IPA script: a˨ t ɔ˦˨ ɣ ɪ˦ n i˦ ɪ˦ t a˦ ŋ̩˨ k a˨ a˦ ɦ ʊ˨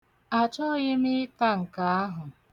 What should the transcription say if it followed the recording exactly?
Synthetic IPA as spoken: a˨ t͡ʃ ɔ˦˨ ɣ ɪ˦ m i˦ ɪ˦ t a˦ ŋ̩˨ k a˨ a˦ ɦ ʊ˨